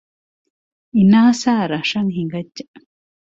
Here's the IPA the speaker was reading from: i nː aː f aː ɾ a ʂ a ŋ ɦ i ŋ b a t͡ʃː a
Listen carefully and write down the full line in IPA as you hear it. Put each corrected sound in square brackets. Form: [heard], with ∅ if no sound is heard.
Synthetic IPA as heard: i [n] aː [s] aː ɾ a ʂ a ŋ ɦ i ŋ [ɡ] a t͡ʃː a